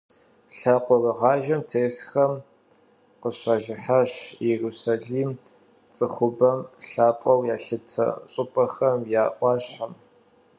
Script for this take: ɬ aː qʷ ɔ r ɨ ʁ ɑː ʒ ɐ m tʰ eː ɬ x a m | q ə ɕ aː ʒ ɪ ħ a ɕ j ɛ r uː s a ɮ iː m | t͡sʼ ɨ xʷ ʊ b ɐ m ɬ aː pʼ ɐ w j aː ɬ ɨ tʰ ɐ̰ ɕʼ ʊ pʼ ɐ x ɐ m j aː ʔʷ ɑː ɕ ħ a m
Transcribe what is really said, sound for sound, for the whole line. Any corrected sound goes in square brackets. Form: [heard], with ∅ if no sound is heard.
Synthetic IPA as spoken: ɬ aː qʷ ɔ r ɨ ʁ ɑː ʒ ɐ m tʰ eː ɬ x [ɐ] m | q ə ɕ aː ʒ ɪ ħ a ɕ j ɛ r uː s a ɮ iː m | t͡sʼ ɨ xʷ ʊ b ɐ m ɬ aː pʼ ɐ w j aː ɬ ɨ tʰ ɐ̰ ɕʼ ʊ pʼ ɐ x ɐ m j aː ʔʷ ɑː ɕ ħ a m